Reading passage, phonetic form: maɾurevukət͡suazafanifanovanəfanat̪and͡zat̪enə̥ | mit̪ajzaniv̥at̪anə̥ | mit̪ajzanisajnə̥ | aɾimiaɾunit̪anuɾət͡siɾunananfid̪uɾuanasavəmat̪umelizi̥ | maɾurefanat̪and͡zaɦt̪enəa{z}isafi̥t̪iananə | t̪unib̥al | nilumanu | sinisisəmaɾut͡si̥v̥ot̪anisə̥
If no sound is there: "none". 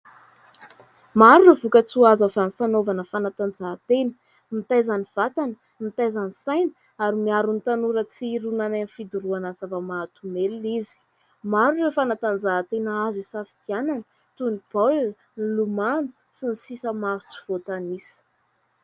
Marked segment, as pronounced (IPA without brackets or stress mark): z